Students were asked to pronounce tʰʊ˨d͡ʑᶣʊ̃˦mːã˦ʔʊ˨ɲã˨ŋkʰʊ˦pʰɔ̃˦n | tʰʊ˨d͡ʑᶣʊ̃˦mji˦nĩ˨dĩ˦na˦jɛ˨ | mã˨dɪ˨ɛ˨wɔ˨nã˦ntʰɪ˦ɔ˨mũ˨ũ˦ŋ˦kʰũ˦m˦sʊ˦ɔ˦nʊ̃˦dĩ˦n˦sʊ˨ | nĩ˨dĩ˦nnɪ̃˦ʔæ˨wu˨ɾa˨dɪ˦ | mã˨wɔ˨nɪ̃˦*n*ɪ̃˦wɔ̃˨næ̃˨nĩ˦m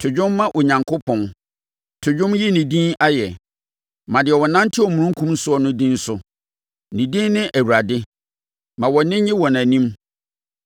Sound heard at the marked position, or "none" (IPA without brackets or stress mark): ɲ